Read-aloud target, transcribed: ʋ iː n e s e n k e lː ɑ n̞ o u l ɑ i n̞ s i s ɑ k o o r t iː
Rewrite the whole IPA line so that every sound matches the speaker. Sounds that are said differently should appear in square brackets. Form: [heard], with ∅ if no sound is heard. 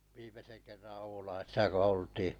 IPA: ʋ iː [m] e s e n k e [rː] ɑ n̞ o u l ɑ i [∅] s i s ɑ k o o [l] t iː